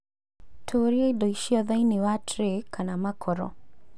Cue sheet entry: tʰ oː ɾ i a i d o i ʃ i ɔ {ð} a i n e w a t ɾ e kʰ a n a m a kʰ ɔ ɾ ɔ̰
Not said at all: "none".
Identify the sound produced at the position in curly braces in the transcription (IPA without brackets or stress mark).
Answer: ð